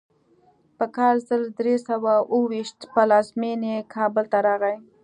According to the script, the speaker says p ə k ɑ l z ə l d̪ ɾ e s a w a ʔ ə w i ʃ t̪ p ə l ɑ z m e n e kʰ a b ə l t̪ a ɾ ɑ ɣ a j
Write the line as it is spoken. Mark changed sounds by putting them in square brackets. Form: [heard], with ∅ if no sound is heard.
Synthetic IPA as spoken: p ə k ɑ l z ə l d̪ ɾ e s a w a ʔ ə w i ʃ t̪ p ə l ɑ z m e n e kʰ [ɑ] b ə l t̪ a ɾ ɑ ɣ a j